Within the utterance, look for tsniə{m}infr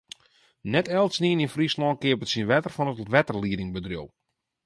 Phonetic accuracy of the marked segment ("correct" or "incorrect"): incorrect